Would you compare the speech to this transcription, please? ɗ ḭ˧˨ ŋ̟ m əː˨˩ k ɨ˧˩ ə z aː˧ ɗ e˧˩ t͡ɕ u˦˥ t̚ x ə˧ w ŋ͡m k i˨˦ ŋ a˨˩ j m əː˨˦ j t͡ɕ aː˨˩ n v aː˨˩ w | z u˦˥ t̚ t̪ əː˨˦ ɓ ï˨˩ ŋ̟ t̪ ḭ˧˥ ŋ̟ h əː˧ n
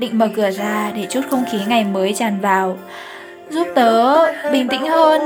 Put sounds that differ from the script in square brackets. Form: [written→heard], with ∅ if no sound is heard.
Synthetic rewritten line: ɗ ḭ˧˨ ŋ̟ m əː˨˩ k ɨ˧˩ ə z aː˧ ɗ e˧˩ t͡ɕ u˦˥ t̚ x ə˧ w ŋ͡m [k→x] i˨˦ ŋ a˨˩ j m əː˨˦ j t͡ɕ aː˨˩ n v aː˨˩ w | z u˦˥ [t̚→p̚] t̪ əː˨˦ ɓ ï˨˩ ŋ̟ t̪ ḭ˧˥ ŋ̟ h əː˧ n